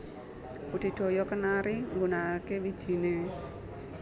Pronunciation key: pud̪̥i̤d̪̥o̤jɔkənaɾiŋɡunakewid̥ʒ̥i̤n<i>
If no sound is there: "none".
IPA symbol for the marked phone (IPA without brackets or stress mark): e